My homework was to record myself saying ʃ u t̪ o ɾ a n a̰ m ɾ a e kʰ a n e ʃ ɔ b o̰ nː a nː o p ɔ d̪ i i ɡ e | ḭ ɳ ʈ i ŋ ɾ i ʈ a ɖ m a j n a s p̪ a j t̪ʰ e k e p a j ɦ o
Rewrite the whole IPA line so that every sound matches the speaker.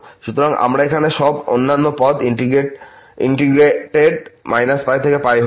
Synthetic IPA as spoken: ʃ u t̪ o ɾ a ŋ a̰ m ɾ a e kʰ a n e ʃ ɔ b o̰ nː a nː o p ɔ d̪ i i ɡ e | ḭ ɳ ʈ i ɡ ɾ e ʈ e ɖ m a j n a s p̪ a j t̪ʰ e k e p a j ɦ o

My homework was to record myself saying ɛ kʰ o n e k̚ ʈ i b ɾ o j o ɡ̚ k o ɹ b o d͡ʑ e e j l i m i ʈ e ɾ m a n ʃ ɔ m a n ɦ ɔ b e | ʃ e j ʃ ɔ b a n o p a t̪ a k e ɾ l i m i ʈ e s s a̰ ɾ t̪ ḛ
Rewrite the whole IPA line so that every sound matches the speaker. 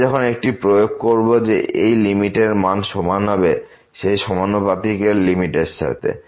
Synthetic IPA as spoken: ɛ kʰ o n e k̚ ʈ i p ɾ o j o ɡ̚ k o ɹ b o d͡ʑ e e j l i m i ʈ e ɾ m a n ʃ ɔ m a n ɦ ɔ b e | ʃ e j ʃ ɔ m a n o p a t̪ i k e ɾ l i m i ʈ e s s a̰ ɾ t̪ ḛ

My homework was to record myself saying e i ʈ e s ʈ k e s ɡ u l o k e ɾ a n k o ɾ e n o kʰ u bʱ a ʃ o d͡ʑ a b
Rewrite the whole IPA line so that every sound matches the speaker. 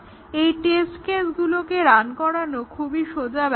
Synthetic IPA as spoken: e j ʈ e s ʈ k e s ɡ u l o k e ɾ a n k ɔ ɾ a n o kʰ u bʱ i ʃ o d͡ʑ a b

